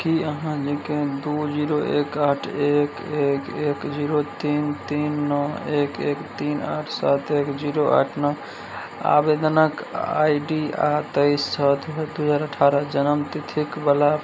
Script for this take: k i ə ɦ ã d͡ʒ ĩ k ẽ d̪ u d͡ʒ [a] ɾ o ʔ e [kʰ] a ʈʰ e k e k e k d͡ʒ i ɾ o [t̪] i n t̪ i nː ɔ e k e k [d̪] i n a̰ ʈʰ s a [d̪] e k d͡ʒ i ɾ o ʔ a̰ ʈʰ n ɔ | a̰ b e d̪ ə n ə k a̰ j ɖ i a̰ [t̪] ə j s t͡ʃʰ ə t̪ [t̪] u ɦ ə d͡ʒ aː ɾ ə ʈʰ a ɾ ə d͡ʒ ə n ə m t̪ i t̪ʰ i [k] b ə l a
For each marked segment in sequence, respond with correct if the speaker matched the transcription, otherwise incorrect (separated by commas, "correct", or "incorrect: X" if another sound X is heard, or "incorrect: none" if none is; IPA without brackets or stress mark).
incorrect: i, incorrect: k, correct, incorrect: t̪, incorrect: t̪, correct, incorrect: d̪, correct